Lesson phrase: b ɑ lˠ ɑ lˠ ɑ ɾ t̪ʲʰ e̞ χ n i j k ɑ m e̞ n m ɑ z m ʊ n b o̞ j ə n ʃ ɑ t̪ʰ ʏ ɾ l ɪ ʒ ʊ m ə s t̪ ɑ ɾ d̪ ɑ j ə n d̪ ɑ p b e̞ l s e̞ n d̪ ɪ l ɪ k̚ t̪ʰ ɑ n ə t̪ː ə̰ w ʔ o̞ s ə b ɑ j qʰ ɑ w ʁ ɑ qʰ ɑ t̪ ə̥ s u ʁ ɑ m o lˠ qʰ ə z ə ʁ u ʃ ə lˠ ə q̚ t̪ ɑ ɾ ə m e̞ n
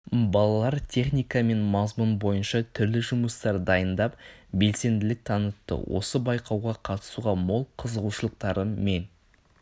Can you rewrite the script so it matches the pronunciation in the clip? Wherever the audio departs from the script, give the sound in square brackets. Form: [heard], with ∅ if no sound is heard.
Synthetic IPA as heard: b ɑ lˠ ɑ lˠ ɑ ɾ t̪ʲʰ e̞ χ n i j k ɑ m e̞ n m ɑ z m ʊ n b o̞ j ə n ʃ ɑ t̪ʰ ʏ ɾ l ɪ ʒ ʊ m ə s t̪ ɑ ɾ d̪ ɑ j ə n d̪ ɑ p b e̞ l s e̞ n d̪ ɪ l ɪ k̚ t̪ʰ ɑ n ə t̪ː ə̰ w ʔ o̞ s ə b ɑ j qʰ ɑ w ʁ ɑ qʰ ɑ t̪ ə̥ s u ʁ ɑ m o lˠ qʰ ə z ə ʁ u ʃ ə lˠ ə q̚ t̪ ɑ ɾ ə m e̞ n

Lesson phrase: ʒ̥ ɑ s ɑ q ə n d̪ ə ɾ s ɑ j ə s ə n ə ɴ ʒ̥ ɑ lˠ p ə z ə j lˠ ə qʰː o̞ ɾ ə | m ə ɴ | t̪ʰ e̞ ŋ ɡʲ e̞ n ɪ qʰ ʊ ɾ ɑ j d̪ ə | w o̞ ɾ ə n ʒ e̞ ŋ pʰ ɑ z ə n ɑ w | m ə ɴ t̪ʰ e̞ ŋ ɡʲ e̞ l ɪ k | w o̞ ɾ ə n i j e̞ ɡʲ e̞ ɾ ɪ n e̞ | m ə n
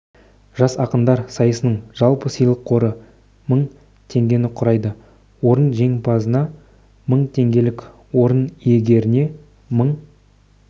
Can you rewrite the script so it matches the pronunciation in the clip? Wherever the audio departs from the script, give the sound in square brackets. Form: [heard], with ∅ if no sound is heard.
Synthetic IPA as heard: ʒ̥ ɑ s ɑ q ə n d̪ [ɑ] ɾ s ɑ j ə s ə n ə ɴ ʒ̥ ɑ lˠ p ə [s] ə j lˠ ə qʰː o̞ ɾ ə | m ə ɴ | t̪ʰ e̞ ŋ ɡʲ e̞ n ɪ qʰ ʊ ɾ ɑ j d̪ ə | w o̞ ɾ ə n ʒ e̞ ŋ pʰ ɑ z ə n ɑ [∅] | m ə ɴ t̪ʰ e̞ ŋ ɡʲ e̞ l ɪ k | w o̞ ɾ ə n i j e̞ ɡʲ e̞ ɾ ɪ n e̞ | m ə [ɴ]

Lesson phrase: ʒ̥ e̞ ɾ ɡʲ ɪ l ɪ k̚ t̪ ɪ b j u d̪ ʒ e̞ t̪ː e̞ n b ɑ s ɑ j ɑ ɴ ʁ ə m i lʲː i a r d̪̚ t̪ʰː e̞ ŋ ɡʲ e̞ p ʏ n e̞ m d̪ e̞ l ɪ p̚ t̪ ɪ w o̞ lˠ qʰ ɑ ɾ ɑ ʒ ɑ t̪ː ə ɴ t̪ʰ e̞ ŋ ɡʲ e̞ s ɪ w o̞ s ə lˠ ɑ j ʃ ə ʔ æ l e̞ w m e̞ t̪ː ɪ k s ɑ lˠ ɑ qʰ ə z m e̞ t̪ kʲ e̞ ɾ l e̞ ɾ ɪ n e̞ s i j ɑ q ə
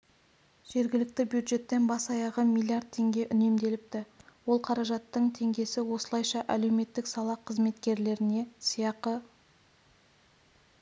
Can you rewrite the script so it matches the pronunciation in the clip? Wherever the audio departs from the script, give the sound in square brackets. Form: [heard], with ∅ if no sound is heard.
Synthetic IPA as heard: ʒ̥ e̞ ɾ ɡʲ ɪ l ɪ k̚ t̪ ɪ b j u d̪ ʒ e̞ t̪ː e̞ n b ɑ s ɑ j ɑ [∅] ʁ ə m i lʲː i a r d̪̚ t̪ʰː e̞ ŋ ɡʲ e̞ [ʔ] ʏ n e̞ m d̪ e̞ l ɪ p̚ t̪ ɪ w o̞ lˠ qʰ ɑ ɾ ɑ ʒ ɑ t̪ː ə ɴ t̪ʰ e̞ ŋ ɡʲ e̞ s ɪ w o̞ s ə lˠ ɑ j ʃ [ɑ] ʔ æ l e̞ w m e̞ t̪ː ɪ k s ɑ lˠ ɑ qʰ ə z m e̞ t̪ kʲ e̞ ɾ l e̞ ɾ ɪ n e̞ s i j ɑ q ə

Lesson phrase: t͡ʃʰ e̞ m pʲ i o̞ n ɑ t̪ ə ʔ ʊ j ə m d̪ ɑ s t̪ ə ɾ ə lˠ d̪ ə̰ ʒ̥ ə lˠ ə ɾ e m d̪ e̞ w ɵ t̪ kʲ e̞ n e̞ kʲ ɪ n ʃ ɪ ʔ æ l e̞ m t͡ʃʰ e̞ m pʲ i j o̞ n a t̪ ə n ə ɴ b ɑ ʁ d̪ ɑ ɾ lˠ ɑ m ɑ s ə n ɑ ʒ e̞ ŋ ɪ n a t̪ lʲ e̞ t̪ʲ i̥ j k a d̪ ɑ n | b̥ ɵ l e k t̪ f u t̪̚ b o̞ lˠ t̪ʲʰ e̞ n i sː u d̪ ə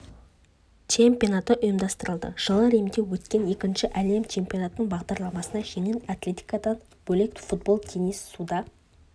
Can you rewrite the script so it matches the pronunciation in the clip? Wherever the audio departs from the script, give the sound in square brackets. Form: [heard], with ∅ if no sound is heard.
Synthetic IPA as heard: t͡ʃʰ e̞ m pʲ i o̞ n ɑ t̪ ə ʔ ʊ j ə m d̪ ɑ s t̪ ə ɾ ə lˠ d̪ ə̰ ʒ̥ ə lˠ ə ɾ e m d̪ e̞ w ɵ t̪ kʲ e̞ n e̞ kʲ ɪ n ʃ ɪ ʔ æ l e̞ m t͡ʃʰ e̞ m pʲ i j o̞ n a t̪ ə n ə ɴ b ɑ ʁ d̪ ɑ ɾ lˠ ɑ m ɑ s ə n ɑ ʒ e̞ ŋ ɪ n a t̪ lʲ e̞ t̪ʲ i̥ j k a d̪ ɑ n | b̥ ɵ l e k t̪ f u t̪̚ b o̞ lˠ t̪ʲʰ e̞ n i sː u d̪ [ɑ]

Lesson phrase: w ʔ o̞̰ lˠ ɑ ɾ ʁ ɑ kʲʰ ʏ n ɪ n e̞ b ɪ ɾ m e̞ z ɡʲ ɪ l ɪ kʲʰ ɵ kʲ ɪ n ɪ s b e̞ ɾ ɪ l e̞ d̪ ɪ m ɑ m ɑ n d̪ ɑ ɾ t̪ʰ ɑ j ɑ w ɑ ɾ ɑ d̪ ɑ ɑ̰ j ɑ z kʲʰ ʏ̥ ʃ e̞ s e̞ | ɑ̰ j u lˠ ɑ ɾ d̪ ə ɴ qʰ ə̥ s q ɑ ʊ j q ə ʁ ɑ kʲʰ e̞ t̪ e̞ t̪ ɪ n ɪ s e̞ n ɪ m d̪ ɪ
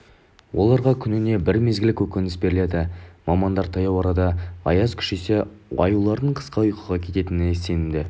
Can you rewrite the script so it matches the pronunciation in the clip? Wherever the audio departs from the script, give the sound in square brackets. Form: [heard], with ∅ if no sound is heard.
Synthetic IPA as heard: w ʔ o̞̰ lˠ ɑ ɾ ʁ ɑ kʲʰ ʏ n ɪ n e̞ b ɪ ɾ m e̞ z ɡʲ ɪ l ɪ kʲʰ ɵ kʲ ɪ n ɪ s b e̞ ɾ ɪ l e̞ d̪ ɪ m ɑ m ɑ n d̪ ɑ ɾ t̪ʰ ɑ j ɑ w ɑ ɾ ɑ d̪ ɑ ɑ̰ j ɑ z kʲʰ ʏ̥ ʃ e̞ s e̞ | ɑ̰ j u lˠ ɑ ɾ d̪ ə ɴ qʰ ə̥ s q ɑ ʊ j q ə ʁ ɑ kʲʰ e̞ t̪ e̞ t̪ ɪ n ɪ s e̞ n ɪ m d̪ ɪ

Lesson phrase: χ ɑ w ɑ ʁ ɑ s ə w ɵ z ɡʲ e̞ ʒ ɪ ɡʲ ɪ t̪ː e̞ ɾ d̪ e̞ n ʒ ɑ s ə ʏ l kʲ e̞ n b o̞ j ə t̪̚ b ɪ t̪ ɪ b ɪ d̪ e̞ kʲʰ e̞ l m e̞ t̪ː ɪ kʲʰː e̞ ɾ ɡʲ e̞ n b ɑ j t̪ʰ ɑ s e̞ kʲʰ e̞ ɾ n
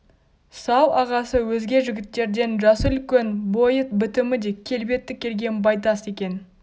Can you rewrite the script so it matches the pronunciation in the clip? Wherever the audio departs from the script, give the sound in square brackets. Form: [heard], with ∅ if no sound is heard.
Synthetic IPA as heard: [s] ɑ w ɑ ʁ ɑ s ə w ɵ z ɡʲ e̞ ʒ ɪ ɡʲ ɪ t̪ː e̞ ɾ d̪ e̞ n ʒ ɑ s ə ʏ l kʲ e̞ n b o̞ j ə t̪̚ b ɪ t̪ ɪ [m] ɪ d̪ e̞ kʲʰ e̞ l [b] e̞ t̪ː ɪ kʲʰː e̞ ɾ ɡʲ e̞ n b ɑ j [t̪] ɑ s e̞ [kʲ] e̞ [∅] n

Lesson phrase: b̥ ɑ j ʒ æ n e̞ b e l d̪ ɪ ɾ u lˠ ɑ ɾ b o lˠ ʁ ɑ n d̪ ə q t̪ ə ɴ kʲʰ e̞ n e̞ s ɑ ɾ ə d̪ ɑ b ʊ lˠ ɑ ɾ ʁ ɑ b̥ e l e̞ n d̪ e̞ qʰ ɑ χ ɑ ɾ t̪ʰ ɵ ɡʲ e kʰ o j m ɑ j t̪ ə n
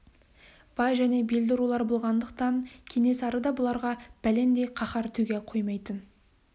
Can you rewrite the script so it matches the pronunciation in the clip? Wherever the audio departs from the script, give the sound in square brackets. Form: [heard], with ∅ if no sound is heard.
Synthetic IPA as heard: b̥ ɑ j ʒ æ n e̞ b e l d̪ ɪ ɾ u lˠ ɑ ɾ b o lˠ ʁ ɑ n d̪ ə q t̪ [ɑ] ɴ kʲʰ e̞ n e̞ s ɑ ɾ ə d̪ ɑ b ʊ lˠ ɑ ɾ ʁ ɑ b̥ [æ] l e̞ n d̪ e̞ qʰ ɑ χ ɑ ɾ t̪ʰ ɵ ɡʲ e [qʰ] o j m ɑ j t̪ ə n

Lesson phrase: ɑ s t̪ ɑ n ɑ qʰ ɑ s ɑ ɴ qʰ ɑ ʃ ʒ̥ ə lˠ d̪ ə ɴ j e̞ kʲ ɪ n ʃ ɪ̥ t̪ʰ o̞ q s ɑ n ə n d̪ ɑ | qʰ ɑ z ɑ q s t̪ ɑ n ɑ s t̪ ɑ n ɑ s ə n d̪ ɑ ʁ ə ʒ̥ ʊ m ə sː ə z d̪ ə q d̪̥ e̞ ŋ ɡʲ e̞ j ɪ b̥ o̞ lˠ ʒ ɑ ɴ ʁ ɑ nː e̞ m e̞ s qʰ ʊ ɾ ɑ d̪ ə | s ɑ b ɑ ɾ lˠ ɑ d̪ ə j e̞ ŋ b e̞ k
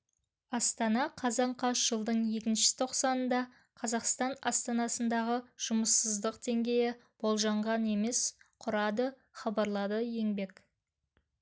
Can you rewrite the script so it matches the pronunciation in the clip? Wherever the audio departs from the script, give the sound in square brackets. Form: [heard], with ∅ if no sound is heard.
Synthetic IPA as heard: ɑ s t̪ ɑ n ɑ qʰ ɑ [z] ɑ ɴ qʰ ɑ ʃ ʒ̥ ə lˠ d̪ ə ɴ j e̞ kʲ ɪ n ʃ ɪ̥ t̪ʰ o̞ q s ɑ n ə n d̪ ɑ | qʰ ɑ z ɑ q s t̪ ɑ n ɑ s t̪ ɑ n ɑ s ə n d̪ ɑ ʁ ə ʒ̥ ʊ m ə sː ə z d̪ ə q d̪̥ e̞ ŋ ɡʲ e̞ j ɪ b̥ o̞ lˠ ʒ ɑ ɴ ʁ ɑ [n] e̞ m e̞ s qʰ ʊ ɾ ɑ d̪ ə | [χ] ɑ b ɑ ɾ lˠ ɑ d̪ ə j e̞ ŋ b e̞ k

